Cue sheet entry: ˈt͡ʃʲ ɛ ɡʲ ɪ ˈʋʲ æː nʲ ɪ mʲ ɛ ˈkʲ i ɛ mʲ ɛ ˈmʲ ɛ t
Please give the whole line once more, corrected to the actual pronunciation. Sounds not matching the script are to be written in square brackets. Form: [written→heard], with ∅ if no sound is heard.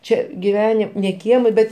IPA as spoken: ˈt͡ʃʲ ɛ ɡʲ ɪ ˈʋʲ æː nʲ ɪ [mʲ→nʲ] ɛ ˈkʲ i ɛ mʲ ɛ [ˈmʲ→ˈbʲ] ɛ t

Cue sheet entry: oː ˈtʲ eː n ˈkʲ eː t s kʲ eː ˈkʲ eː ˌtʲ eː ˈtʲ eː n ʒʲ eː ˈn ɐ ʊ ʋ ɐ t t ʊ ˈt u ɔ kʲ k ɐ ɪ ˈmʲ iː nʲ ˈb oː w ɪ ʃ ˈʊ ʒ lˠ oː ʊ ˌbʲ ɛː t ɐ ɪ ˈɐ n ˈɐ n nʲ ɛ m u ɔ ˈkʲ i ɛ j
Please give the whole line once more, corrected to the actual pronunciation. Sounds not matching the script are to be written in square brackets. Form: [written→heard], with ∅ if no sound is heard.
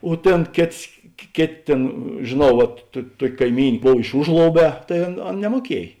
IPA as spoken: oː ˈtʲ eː n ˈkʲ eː t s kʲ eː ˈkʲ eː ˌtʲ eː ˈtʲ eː n ʒʲ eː ˈn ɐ ʊ ʋ ɐ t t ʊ ˈt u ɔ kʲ k ɐ ɪ ˈmʲ iː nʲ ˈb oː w ɪ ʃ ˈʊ ʒ lˠ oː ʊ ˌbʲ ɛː t ɐ ɪ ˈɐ n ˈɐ n nʲ ɛ m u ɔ ˈkʲ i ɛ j

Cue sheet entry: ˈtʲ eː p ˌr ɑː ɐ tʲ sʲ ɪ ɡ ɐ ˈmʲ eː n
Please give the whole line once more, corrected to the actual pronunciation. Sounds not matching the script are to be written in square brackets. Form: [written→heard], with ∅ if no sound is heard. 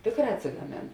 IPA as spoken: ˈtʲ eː [p→k] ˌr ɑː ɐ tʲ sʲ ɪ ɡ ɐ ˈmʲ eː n

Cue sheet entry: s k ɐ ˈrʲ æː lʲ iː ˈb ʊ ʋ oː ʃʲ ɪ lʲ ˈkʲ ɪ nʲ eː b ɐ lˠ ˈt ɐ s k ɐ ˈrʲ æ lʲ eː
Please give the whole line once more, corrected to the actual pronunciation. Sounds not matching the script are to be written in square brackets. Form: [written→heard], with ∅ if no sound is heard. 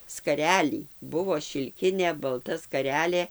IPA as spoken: s k ɐ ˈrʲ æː lʲ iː ˈb ʊ ʋ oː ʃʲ ɪ lʲ ˈkʲ ɪ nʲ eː b ɐ lˠ ˈt ɐ s k ɐ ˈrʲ [æ→æː] lʲ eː

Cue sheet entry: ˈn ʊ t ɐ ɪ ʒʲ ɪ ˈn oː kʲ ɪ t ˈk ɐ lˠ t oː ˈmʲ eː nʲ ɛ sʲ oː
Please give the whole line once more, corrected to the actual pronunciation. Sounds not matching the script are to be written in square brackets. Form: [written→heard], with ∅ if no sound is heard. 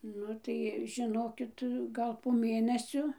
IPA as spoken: ˈn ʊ t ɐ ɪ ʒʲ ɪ ˈn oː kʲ ɪ t [ˈk→ˈɡ] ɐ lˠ [t→p] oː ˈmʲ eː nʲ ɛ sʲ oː

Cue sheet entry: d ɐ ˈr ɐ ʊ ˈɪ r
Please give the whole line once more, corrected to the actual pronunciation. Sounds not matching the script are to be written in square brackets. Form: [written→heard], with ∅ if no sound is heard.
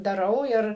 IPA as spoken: d ɐ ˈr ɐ ʊ ˈɪ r

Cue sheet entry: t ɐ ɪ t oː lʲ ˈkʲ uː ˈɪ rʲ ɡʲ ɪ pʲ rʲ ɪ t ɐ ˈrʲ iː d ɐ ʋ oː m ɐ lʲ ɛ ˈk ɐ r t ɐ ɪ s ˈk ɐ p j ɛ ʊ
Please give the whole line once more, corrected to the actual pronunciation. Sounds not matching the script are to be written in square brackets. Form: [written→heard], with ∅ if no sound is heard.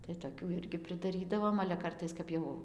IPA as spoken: t ɐ ɪ t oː [lʲ→∅] ˈkʲ uː ˈɪ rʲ ɡʲ ɪ pʲ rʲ ɪ [t→d] ɐ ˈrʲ iː d ɐ ʋ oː m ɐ lʲ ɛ ˈk ɐ r t ɐ ɪ s ˈk ɐ p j ɛ ʊ

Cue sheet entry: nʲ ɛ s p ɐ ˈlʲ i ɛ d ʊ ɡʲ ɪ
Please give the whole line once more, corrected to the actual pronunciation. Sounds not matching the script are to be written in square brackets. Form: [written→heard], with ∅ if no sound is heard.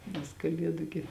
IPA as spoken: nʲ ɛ s [p→k] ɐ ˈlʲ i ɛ d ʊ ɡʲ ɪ

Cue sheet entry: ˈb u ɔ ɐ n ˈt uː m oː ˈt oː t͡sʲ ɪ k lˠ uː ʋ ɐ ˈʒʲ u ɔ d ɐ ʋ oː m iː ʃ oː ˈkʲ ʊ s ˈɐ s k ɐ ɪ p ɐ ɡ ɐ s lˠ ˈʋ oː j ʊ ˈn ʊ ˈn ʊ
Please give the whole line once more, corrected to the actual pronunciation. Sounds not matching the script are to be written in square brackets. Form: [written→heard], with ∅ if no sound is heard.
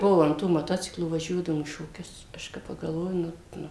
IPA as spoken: ˈb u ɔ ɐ n ˈt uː m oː ˈt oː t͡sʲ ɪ k lˠ uː ʋ ɐ ˈʒʲ u ɔ d ɐ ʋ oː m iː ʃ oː ˈkʲ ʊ s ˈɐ [s→ʃ] k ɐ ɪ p ɐ ɡ ɐ [s→∅] lˠ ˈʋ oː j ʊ ˈn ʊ ˈn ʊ

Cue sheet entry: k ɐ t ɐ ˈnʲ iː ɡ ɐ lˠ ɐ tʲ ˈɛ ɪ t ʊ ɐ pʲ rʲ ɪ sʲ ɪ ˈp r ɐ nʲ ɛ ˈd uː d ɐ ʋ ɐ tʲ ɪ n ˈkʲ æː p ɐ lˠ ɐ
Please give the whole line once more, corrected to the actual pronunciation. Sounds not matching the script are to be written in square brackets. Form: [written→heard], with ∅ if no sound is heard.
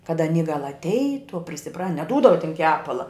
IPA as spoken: k ɐ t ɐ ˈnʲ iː ɡ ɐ lˠ ɐ tʲ ˈɛ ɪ t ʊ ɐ pʲ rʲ ɪ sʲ ɪ ˈp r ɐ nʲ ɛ ˈd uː d ɐ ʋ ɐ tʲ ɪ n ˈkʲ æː p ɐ lˠ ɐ

